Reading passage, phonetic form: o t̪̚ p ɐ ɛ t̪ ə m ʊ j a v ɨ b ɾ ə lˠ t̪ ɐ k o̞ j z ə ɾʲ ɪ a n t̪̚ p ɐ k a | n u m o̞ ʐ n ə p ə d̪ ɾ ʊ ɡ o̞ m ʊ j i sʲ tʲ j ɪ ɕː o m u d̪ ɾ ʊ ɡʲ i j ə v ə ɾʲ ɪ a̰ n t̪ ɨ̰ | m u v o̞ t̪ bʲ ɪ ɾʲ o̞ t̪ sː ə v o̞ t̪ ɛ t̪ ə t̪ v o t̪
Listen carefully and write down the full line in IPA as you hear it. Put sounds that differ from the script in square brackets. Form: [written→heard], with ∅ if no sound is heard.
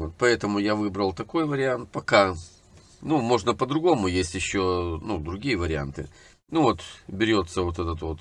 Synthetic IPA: o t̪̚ p ɐ ɛ t̪ ə m ʊ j a v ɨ b ɾ ə lˠ t̪ ɐ k o̞ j [z→v] ə ɾʲ ɪ a n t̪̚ p ɐ k a | n u m o̞ ʐ n ə p ə d̪ ɾ ʊ ɡ o̞ m ʊ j [i→e] sʲ tʲ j ɪ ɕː o [m→n] u d̪ ɾ ʊ ɡʲ i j ə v ə ɾʲ ɪ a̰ n t̪ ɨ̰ | [m→n] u v o̞ t̪ bʲ ɪ ɾʲ o̞ t̪ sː ə v o̞ t̪ ɛ t̪ ə t̪ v o t̪